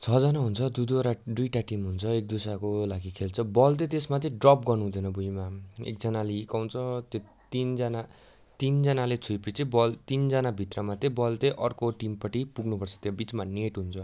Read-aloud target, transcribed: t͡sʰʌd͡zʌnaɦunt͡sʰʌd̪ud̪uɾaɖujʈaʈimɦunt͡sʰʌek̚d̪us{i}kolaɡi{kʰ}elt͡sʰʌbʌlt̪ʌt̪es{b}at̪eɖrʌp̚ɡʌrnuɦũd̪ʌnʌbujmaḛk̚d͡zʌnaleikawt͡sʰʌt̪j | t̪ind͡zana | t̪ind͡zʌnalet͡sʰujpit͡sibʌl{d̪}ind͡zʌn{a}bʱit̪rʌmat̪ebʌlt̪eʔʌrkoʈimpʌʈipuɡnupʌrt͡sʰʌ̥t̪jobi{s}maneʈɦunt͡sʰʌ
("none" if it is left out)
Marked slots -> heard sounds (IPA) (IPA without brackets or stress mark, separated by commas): a, kʰ, m, t̪, a, t͡s